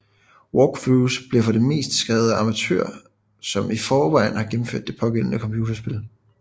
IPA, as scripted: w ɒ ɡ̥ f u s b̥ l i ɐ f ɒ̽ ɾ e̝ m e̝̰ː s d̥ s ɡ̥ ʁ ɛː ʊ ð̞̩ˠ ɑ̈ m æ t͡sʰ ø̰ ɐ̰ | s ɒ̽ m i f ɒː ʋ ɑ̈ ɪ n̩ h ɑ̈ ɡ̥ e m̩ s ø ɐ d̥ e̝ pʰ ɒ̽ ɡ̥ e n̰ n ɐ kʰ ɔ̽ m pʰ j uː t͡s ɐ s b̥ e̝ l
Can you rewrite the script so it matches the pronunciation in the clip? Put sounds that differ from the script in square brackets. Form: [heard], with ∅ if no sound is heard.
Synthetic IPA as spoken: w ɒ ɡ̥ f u s b̥ l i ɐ f ɒ̽ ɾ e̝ m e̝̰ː s d̥ s ɡ̥ ʁ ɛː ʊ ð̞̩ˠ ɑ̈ m æ t͡sʰ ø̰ ɐ̰ | s ɒ̽ m i f ɒː ʋ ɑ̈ ɪ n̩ h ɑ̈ ɡ̥ e m̩ [f] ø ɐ d̥ e̝ pʰ ɒ̽ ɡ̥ e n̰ n [ə] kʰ [ɒ̽] m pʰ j uː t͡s ɐ s b̥ e̝ l